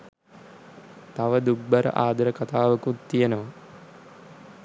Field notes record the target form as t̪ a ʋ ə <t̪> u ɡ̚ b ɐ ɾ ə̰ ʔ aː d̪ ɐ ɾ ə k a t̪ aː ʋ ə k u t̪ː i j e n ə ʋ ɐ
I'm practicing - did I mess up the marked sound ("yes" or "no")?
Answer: yes